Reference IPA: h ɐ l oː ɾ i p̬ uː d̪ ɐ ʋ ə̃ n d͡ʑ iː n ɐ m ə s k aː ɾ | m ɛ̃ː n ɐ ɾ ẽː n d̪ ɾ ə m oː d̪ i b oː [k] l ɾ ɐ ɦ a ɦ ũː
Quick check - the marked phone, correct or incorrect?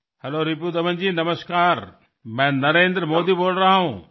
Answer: incorrect